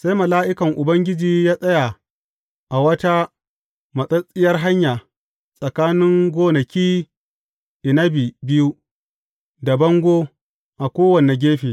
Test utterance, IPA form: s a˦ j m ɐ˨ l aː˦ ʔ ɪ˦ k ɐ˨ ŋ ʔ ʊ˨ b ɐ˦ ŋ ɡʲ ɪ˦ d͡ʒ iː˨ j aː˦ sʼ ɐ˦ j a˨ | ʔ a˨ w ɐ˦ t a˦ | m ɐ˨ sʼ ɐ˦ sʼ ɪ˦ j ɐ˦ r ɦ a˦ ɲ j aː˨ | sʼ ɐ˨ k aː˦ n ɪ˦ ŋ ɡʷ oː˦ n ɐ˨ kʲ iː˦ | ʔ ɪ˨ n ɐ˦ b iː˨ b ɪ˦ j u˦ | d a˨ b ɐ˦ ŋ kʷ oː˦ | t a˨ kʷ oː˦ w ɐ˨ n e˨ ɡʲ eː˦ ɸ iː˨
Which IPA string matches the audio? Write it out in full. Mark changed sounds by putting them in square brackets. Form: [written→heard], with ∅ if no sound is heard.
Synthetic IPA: s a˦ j m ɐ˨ l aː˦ ʔ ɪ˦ k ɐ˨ ŋ ʔ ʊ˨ b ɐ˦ ŋ ɡʲ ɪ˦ d͡ʒ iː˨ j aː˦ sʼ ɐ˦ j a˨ | ʔ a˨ w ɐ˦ t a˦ | m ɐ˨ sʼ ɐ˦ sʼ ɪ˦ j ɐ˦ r ɦ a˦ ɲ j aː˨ | sʼ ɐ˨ k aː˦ n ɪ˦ ŋ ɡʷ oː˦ n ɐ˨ kʲ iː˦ | ʔ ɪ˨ n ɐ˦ b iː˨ b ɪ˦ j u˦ | d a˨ b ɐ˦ ŋ [kʷ→ɡʷ] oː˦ | [t→ʔ] a˨ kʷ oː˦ w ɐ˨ n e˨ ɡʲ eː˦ ɸ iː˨